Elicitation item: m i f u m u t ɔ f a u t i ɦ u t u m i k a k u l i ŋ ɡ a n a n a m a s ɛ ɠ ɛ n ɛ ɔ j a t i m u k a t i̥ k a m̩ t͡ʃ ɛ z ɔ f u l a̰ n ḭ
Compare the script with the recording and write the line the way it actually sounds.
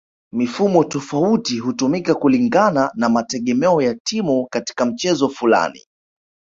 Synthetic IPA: m i f u m ɔ t ɔ f a u t i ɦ u t u m i k a k u l i ŋ ɡ a n a n a m a t ɛ ɠ ɛ m ɛ ɔ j a t i m u k a t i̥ k a m̩ t͡ʃ ɛ z ɔ f u l a̰ n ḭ